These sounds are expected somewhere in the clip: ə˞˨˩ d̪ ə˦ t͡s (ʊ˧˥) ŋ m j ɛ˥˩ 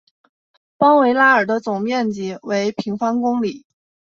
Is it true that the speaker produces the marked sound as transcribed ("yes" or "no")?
no